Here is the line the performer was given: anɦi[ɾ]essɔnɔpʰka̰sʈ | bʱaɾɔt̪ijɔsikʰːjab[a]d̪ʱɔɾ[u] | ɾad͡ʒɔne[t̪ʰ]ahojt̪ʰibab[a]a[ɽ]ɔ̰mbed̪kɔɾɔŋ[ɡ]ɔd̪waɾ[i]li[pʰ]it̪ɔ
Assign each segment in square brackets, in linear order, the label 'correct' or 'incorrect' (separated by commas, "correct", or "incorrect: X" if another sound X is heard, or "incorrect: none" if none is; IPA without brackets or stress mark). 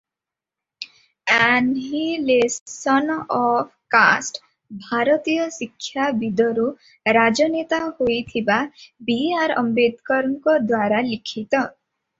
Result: incorrect: l, incorrect: i, correct, incorrect: t̪, incorrect: i, incorrect: ɾ, incorrect: k, incorrect: a, incorrect: kʰ